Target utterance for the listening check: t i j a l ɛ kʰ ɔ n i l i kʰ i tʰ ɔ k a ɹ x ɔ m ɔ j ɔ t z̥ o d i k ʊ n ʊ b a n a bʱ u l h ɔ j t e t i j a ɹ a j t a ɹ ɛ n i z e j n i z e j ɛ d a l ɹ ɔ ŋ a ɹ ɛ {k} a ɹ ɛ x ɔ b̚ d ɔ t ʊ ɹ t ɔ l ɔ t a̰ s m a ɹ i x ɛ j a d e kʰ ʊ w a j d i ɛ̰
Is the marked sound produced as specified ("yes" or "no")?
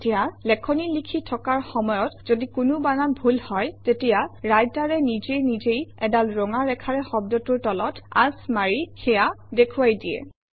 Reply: no